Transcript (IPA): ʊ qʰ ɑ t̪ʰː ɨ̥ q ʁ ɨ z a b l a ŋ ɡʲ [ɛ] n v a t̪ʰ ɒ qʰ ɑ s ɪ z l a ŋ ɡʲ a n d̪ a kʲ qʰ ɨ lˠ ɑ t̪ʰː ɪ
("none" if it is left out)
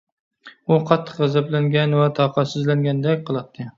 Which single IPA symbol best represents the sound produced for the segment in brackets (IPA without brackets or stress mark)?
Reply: a